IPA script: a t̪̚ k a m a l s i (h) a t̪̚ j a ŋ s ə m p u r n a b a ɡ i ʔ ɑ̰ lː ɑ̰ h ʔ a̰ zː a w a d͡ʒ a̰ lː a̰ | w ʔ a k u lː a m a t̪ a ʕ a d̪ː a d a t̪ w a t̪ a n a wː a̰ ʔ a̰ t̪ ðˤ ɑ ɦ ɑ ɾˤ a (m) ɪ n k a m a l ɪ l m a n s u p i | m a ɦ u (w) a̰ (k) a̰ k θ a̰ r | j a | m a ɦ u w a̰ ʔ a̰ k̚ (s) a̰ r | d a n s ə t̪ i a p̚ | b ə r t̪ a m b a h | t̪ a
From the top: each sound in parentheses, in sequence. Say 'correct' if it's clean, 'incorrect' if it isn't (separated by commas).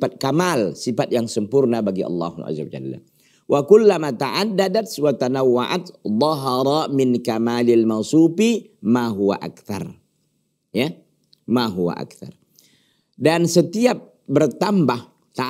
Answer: incorrect, correct, correct, incorrect, incorrect